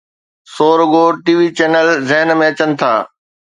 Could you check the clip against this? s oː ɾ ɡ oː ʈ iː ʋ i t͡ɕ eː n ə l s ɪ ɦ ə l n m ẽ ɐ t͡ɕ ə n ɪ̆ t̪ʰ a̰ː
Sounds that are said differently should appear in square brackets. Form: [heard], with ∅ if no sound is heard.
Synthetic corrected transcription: s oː ɾ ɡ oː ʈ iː ʋ i t͡ɕ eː n ə l [z] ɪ ɦ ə [∅] n m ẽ ɐ t͡ɕ ə n ɪ̆ t̪ʰ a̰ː